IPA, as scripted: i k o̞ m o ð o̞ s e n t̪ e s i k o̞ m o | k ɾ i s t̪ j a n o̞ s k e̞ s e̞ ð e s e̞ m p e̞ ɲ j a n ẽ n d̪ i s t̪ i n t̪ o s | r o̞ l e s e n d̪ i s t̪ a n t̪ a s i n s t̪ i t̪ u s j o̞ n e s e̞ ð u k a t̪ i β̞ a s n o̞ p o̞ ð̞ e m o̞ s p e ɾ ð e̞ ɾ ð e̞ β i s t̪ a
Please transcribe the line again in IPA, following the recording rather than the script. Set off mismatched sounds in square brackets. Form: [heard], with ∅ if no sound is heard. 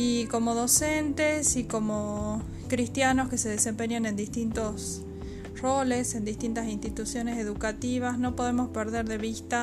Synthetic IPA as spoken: i k o̞ m o ð o̞ s e n t̪ e s i k o̞ m o | k ɾ i s t̪ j a n o̞ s k e̞ s e̞ ð e s e̞ m p e̞ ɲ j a n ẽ n d̪ i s t̪ i n t̪ o s | r o̞ l e s e n d̪ i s t̪ [i] n t̪ a s i n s t̪ i t̪ u s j o̞ n e s e̞ ð u k a t̪ i β̞ a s n o̞ p o̞ ð̞ e m o̞ s p e ɾ ð e̞ ɾ ð e̞ β i s t̪ a